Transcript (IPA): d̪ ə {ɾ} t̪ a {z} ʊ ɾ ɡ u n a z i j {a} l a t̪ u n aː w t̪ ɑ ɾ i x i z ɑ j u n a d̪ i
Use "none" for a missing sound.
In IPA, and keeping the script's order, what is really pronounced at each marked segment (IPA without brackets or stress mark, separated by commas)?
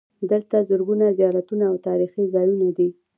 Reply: l, z, ɑ